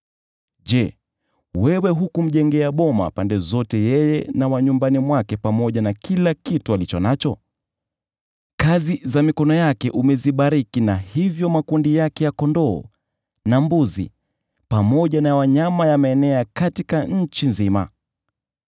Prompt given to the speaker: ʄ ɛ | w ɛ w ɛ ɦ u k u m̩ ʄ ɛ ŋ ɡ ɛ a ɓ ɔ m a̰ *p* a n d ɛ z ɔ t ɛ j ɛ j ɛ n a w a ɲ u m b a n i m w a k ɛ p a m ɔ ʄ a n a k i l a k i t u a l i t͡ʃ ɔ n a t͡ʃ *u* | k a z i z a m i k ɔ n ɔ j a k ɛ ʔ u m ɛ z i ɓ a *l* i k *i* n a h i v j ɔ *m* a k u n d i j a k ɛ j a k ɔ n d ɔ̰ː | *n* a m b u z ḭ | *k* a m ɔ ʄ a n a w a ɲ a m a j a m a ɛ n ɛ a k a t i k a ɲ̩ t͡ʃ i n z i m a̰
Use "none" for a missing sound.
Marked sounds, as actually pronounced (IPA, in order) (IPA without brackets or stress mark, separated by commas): p, ɔ, ɾ, i, m, n, p